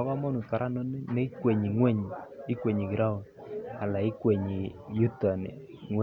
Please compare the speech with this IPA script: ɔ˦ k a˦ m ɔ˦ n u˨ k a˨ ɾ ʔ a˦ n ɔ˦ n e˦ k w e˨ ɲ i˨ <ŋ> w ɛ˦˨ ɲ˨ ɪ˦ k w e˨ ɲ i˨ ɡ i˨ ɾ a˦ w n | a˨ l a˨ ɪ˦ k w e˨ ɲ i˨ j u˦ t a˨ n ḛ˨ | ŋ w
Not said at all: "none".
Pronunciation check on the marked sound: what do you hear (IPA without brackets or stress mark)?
ŋ